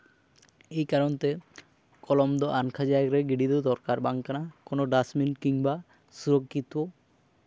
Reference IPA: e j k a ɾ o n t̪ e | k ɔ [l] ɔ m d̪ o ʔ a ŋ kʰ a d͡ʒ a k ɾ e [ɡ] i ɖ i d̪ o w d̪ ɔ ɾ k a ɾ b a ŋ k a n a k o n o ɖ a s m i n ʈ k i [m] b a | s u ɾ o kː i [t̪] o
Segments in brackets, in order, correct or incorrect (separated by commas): correct, correct, incorrect, correct